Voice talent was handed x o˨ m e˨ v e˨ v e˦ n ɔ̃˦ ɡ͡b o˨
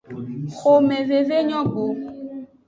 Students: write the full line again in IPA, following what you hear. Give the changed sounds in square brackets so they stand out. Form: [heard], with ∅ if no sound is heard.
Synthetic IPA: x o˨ m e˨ v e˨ v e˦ [ɲ] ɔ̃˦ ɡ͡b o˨

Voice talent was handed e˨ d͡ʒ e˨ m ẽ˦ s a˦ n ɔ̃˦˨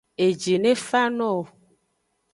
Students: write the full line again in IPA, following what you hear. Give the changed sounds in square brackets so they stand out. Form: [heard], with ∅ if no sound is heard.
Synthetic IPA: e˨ d͡ʒ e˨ [n] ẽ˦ [f] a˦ n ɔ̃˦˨

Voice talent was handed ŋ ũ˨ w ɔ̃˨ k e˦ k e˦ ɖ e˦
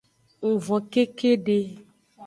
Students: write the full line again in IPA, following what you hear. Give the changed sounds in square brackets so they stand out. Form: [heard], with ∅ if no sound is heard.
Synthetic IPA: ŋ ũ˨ [v] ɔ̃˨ k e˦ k e˦ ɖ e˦

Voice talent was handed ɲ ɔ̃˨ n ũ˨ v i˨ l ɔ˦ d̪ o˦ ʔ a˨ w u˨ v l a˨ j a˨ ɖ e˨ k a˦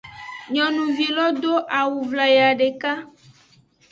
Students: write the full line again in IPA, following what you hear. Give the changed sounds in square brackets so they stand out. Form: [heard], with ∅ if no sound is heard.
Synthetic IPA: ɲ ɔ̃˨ n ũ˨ v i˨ l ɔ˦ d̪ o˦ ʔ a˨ w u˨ v l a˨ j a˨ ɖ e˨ k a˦

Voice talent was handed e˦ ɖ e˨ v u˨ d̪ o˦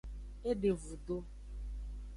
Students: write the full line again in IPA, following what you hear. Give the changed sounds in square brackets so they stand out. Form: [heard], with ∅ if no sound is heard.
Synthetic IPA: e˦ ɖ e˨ v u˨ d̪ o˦

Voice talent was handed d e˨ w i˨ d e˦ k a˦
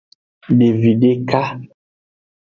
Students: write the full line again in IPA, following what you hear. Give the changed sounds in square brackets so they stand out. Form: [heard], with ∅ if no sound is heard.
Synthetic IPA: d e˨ [v] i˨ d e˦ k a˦

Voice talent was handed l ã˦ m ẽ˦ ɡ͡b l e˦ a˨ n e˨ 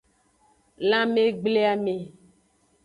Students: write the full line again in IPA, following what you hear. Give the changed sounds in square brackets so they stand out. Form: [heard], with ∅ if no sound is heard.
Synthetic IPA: l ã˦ m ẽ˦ ɡ͡b l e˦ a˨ [m] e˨

